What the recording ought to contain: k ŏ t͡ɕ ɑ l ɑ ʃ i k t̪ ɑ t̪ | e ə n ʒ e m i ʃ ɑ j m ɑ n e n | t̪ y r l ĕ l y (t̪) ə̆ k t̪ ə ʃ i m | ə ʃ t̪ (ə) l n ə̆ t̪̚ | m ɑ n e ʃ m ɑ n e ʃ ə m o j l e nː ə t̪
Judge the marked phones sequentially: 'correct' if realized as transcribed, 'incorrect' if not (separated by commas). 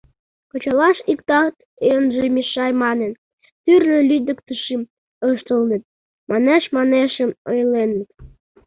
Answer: incorrect, correct